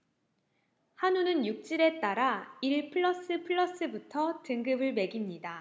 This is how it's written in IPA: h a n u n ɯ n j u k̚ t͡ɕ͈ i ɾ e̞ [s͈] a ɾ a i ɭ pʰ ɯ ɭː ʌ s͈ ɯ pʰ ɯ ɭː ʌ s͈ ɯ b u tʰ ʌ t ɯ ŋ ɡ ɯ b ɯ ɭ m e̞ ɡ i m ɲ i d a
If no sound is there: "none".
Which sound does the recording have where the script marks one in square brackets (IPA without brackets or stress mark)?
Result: t͈